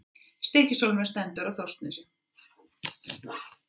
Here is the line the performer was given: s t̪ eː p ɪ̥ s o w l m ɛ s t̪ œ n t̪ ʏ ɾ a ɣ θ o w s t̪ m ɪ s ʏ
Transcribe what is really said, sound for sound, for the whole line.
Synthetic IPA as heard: s t̪ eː c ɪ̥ s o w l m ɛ s t̪ ɛ n t̪ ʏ ɾ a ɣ θ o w s t̪ n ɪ s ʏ